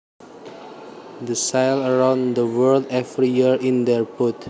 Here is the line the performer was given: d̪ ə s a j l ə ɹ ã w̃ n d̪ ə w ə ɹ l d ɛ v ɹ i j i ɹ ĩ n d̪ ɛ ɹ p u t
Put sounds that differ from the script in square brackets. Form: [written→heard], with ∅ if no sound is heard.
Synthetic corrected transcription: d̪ ə s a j l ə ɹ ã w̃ n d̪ ə w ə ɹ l d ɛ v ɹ i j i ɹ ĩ n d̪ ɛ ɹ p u t